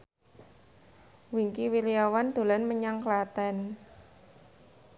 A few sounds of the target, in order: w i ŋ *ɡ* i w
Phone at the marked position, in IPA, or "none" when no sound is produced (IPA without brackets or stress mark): k